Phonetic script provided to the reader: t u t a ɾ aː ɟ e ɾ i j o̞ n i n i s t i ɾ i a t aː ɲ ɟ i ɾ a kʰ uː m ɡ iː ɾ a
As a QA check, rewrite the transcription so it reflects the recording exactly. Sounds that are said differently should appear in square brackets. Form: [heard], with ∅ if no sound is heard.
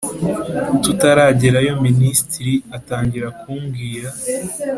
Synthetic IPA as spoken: t u t a ɾ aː ɟ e ɾ [a] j o̞ [m] i n i s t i ɾ i a t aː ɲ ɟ i ɾ a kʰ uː m ɡ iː ɾ a